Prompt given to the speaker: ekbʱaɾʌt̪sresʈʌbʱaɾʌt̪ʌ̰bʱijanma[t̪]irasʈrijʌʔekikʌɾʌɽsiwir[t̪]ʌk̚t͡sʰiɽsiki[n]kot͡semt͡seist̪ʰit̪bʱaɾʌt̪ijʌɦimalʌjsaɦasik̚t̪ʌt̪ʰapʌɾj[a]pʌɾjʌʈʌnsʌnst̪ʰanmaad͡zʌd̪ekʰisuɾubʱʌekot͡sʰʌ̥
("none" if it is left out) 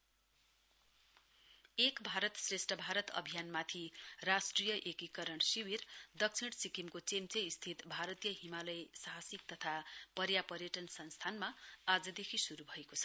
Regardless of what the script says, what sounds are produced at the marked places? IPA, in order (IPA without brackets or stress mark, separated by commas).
t̪ʰ, d̪, m, a